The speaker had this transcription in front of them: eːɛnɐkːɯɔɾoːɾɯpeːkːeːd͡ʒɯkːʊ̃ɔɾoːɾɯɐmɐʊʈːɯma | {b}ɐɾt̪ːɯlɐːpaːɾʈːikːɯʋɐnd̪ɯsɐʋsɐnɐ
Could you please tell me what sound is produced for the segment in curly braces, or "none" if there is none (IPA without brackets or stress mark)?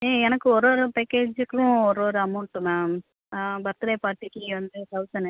b